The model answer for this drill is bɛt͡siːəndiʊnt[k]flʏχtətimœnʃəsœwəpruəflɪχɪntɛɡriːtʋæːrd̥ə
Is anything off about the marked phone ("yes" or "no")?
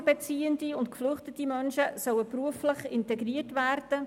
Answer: no